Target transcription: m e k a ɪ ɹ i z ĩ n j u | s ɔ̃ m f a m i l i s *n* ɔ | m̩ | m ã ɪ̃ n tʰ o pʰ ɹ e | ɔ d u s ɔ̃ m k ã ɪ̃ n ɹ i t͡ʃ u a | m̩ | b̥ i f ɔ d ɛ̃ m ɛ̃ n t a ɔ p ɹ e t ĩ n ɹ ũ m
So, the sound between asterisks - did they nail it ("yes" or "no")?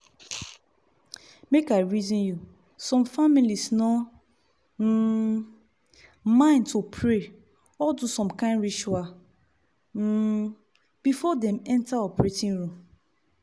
yes